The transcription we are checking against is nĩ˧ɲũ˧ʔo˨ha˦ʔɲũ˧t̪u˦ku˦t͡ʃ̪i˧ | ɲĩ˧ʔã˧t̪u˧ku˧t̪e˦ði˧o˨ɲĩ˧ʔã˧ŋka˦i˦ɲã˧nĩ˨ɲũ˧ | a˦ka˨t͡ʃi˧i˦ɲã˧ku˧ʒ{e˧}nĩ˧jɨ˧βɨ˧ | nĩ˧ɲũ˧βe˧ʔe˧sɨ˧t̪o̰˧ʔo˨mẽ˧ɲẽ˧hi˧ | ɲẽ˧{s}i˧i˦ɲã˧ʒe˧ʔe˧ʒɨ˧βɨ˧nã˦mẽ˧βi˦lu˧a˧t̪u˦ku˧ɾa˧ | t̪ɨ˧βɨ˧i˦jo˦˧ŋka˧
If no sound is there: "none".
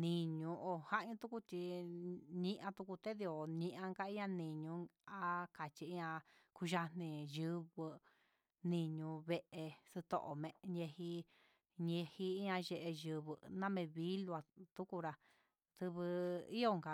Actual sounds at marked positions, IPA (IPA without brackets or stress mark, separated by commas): a˧, h